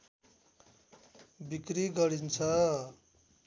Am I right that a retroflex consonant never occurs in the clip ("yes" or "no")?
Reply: yes